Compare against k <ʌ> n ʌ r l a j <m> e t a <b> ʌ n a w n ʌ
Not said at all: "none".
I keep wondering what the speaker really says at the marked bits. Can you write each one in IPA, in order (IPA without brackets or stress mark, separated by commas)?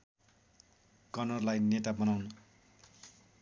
ʌ, n, b